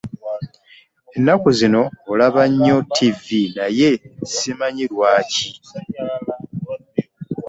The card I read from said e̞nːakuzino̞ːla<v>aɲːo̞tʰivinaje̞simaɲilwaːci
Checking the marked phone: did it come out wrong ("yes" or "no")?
yes